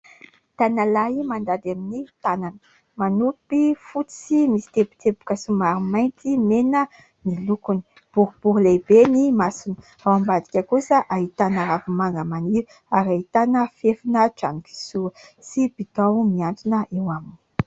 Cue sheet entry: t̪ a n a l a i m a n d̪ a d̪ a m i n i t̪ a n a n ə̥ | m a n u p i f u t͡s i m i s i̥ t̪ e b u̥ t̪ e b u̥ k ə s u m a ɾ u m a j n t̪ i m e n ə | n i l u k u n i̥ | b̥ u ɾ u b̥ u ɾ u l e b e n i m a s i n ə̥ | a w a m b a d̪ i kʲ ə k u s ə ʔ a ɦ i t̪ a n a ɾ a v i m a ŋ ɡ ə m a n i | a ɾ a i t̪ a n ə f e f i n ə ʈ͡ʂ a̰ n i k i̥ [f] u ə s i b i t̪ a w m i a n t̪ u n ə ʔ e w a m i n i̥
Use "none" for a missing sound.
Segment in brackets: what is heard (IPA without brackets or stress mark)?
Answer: s